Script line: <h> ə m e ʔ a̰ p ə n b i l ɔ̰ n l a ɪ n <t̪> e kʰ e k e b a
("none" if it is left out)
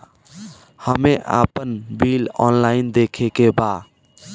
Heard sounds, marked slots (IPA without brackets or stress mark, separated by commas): h, d̪